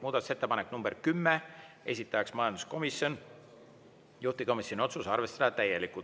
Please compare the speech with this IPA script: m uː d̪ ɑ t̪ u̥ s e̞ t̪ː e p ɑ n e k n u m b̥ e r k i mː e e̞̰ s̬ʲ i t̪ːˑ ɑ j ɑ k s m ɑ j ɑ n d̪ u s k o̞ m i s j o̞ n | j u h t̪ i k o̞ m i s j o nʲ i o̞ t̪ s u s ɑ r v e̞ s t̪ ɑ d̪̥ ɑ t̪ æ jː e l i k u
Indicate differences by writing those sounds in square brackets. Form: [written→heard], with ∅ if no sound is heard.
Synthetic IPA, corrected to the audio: m uː d̪ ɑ t̪ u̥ s e̞ t̪ː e p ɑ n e k n u m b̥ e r k [i→y] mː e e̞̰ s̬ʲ i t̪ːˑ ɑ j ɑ k s m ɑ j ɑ n d̪ u s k o̞ m i s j o̞ n | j u h t̪ i k o̞ m i s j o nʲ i o̞ t̪ s u s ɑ r v e̞ s t̪ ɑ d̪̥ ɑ t̪ æ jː e l i k u

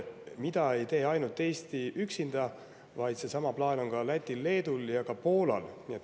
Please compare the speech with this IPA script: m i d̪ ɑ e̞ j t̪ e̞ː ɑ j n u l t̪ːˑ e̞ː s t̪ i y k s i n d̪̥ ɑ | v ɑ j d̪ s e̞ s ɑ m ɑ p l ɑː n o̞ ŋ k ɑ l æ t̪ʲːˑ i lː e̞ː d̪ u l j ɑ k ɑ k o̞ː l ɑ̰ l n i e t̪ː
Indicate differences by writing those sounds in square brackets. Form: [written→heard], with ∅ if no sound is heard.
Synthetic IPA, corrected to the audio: m i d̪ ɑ e̞ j t̪ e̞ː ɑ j n u l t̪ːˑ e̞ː s t̪ i y k s i n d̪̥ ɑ | v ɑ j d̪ s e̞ s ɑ m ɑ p l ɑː n o̞ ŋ k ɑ l æ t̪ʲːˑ i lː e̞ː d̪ u l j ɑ k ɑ [k→p] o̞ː l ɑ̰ l n i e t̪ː

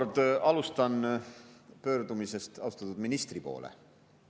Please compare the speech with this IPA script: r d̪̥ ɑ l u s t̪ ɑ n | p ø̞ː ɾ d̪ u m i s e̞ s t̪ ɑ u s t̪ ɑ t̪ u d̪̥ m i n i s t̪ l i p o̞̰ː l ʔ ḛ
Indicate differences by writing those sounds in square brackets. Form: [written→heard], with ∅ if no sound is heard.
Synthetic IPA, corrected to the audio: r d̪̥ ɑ l u s t̪ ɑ n | p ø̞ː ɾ d̪ u m i s e̞ s t̪ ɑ u s t̪ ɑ t̪ u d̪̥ m i n i s t̪ [l→r] i p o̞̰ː l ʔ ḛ

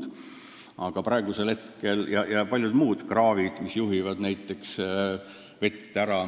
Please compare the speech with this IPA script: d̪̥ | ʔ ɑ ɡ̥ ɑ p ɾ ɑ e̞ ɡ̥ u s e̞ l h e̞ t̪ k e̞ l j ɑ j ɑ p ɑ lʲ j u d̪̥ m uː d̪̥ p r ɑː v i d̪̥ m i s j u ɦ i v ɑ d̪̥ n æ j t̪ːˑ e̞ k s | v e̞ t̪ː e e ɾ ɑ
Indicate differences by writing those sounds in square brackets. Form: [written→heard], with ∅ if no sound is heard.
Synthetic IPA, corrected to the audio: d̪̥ | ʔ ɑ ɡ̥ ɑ p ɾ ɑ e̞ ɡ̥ u s e̞ l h e̞ t̪ k e̞ l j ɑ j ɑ p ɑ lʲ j u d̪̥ m uː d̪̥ [p→k] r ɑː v i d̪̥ m i s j u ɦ i v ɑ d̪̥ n æ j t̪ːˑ e̞ k s | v e̞ t̪ː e [e→æ] ɾ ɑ

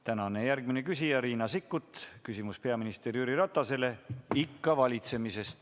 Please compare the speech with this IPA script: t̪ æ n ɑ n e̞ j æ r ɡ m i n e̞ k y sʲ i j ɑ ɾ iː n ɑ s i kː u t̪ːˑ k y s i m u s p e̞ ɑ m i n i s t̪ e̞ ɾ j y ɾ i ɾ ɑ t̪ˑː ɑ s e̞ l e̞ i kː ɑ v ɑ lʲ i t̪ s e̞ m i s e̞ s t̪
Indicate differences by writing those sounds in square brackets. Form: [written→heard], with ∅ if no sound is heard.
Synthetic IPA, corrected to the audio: t̪ æ n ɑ n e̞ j æ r ɡ m i n e̞ k y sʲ i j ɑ ɾ iː n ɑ s i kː u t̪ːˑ k y s i m u s p e̞ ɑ m i n i s t̪ e̞ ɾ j y ɾ i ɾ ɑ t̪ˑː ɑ s e̞ l e̞ i kː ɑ v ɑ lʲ i t̪ s e̞ m i s e̞ s t̪

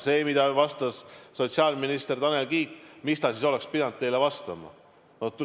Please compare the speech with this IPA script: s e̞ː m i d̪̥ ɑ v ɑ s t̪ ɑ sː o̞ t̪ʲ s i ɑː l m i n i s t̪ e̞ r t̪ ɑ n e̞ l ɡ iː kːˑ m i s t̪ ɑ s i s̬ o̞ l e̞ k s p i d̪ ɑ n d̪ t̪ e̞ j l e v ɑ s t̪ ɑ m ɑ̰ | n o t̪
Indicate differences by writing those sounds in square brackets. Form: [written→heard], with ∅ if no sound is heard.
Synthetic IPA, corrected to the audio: s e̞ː m i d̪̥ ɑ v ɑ s t̪ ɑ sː o̞ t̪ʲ s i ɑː l m i n i s t̪ e̞ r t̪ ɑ n e̞ l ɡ iː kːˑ m i s t̪ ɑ s i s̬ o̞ l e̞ k s p i d̪ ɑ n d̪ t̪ e̞ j l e v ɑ s t̪ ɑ m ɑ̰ | n o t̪

